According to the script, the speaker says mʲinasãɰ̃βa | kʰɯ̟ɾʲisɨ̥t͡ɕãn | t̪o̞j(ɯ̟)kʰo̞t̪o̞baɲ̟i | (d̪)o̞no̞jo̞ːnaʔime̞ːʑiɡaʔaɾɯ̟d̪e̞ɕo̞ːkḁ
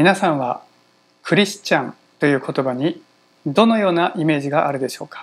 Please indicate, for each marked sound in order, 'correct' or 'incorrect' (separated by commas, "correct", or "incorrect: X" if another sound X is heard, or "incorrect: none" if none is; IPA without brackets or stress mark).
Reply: incorrect: ɯ̟ː, correct